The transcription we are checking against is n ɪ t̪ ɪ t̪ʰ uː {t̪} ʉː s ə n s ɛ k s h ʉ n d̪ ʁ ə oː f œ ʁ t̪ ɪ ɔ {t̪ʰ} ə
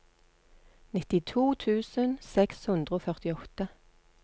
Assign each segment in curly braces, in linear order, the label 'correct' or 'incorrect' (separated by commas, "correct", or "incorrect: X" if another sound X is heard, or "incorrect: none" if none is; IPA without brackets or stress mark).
incorrect: t̪ʰ, incorrect: t̪